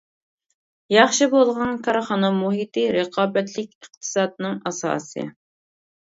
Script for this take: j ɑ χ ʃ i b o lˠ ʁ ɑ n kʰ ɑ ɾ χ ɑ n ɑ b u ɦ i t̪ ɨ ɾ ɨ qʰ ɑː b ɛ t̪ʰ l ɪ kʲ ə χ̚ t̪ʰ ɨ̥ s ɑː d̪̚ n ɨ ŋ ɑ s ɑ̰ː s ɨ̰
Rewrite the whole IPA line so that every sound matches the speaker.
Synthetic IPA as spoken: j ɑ χ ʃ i b o lˠ ʁ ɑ n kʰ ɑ ɾ χ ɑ n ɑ m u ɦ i t̪ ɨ ɾ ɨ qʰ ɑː b ɛ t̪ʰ l ɪ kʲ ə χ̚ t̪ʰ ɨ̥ s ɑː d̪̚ n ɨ ŋ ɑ s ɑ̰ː s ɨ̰